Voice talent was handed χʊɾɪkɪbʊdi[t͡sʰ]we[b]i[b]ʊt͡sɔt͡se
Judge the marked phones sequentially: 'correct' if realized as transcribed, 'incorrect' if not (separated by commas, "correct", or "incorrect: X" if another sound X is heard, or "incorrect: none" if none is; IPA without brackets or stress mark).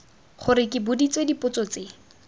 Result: incorrect: t͡s, incorrect: d, incorrect: p